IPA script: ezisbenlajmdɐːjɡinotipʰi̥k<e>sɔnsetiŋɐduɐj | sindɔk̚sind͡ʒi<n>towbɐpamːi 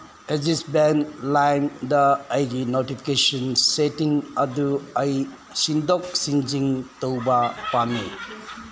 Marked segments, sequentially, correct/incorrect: correct, incorrect: ŋ

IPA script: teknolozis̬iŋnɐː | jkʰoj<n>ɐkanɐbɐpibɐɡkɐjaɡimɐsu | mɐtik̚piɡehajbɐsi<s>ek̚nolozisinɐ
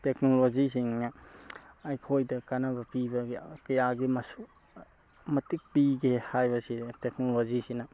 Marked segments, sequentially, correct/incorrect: incorrect: d, incorrect: t

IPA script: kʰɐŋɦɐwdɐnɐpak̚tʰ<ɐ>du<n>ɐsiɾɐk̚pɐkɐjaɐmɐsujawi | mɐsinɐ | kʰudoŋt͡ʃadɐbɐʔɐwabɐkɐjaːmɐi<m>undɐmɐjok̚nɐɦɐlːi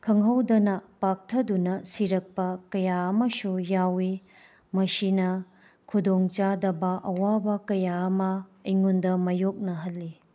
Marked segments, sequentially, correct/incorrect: correct, correct, incorrect: ŋ

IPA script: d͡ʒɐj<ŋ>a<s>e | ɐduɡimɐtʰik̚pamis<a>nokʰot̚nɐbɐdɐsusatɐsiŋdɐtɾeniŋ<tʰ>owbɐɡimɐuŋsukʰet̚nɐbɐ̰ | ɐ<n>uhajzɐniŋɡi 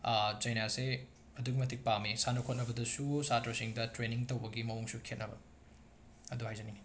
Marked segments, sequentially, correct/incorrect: incorrect: n, correct, correct, incorrect: t, incorrect: d

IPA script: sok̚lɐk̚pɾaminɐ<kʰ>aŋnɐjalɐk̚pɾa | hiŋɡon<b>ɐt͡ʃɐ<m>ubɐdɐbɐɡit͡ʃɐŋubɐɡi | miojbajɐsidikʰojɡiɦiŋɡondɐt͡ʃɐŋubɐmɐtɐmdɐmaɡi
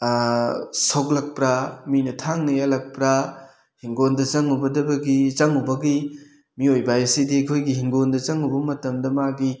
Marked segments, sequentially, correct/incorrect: incorrect: tʰ, incorrect: d, incorrect: ŋ

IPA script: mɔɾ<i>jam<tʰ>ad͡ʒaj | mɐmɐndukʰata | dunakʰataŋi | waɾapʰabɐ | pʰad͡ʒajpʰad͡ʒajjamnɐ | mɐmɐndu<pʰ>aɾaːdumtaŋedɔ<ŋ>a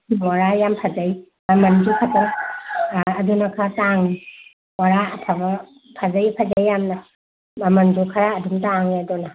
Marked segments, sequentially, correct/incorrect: incorrect: a, incorrect: pʰ, incorrect: kʰ, incorrect: n

